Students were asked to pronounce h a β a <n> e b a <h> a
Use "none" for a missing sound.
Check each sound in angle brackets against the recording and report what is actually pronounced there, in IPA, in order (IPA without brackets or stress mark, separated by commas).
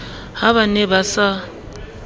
n, s